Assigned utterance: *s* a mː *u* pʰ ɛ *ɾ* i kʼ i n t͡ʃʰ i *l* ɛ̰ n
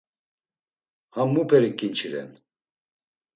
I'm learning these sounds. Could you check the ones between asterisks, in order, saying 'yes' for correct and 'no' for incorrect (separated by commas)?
no, yes, yes, no